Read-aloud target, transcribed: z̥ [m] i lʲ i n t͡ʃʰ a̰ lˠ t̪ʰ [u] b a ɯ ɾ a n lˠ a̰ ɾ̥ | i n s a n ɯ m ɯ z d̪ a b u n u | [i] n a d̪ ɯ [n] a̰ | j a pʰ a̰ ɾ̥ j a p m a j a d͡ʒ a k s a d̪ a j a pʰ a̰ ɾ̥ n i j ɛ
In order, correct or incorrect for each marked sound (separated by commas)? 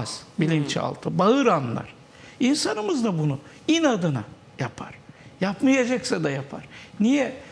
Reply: incorrect, incorrect, correct, correct